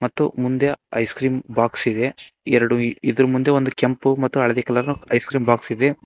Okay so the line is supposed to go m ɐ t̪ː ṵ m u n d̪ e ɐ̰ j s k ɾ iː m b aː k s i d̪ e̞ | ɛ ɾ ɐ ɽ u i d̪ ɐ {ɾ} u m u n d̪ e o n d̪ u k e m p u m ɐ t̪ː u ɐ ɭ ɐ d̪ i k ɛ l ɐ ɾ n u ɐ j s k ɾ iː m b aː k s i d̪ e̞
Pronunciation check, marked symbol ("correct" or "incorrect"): correct